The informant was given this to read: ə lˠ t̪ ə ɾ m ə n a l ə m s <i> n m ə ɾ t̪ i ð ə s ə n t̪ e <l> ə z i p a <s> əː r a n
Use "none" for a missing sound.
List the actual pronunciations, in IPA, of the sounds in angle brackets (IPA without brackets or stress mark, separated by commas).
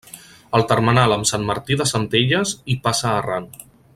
a, ʎ, s